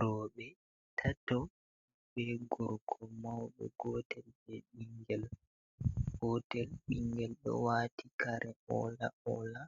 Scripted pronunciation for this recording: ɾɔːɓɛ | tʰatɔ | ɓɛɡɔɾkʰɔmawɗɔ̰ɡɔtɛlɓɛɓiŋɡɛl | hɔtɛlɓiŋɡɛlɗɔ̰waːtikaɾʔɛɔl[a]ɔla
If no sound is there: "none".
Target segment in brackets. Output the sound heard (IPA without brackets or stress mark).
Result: a